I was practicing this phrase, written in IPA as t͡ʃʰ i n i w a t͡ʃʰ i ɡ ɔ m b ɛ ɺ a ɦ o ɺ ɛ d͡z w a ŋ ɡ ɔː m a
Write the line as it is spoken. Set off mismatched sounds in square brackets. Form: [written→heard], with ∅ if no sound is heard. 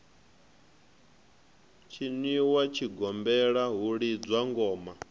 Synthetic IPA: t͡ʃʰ i n i w a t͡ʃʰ i ɡ ɔ m b ɛ ɺ a ɦ [o→u] ɺ [ɛ→i] d͡z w a ŋ ɡ ɔː m a